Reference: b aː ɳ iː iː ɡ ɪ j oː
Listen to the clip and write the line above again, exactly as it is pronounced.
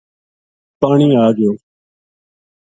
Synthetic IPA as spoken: p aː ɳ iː aː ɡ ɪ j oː